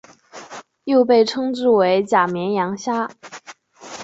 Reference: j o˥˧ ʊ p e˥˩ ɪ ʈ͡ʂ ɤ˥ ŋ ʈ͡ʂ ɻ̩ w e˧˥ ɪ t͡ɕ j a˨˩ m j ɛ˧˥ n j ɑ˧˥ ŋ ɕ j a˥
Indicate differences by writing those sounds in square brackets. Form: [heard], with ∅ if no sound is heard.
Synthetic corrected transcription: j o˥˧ ʊ p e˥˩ ɪ [ʈ͡ʂʰ] ɤ˥ ŋ ʈ͡ʂ ɻ̩ w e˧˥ ɪ t͡ɕ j a˨˩ m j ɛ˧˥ n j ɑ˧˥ ŋ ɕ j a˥